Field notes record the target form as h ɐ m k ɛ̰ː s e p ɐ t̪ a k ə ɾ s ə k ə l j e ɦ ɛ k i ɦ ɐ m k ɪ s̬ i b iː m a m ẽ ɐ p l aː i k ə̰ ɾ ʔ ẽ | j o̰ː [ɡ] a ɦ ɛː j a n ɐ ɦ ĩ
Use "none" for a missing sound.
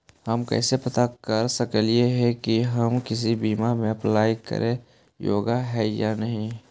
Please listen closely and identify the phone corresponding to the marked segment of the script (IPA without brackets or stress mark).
ɡ